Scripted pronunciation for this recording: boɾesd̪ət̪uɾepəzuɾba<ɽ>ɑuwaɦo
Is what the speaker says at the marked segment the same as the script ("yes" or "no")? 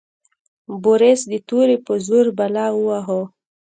no